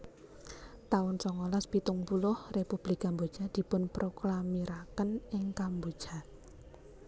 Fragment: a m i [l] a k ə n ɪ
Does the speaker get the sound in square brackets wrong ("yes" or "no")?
yes